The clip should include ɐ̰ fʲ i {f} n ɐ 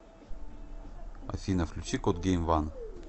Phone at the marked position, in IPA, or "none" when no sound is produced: none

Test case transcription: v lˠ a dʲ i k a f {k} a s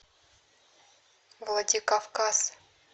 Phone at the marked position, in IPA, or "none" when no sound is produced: k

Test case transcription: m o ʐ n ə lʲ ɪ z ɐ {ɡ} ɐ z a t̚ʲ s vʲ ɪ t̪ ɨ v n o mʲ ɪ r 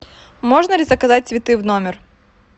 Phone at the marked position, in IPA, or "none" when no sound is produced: k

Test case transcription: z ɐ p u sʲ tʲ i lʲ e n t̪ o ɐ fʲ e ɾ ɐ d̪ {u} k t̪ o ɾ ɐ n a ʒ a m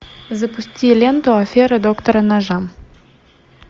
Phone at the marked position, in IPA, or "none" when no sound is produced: o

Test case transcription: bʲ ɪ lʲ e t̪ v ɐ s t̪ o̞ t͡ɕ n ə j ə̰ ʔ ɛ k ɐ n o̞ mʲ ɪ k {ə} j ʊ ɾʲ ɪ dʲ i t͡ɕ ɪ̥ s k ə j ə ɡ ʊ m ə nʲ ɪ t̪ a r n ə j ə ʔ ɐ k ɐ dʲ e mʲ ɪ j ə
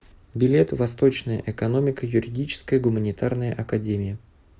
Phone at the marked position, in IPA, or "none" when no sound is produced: ə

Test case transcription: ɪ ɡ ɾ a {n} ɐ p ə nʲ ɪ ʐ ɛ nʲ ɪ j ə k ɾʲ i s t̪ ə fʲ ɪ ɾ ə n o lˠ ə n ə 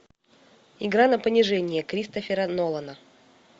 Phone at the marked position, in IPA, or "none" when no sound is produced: n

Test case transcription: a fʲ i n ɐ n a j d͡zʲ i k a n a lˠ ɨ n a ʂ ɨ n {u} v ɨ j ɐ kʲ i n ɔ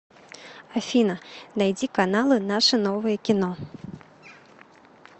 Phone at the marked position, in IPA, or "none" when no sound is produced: ɔ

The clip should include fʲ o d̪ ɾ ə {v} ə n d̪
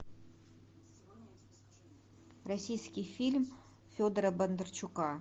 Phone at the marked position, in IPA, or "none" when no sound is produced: b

